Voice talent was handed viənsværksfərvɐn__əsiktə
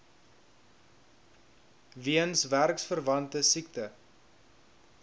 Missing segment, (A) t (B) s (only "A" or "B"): A